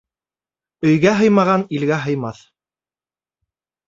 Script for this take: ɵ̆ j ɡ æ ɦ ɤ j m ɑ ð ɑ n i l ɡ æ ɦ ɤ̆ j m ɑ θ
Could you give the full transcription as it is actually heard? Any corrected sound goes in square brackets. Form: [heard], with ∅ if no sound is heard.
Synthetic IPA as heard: ɵ̆ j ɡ æ ɦ ɤ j m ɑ [ʁ] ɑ n i l ɡ æ ɦ ɤ̆ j m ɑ θ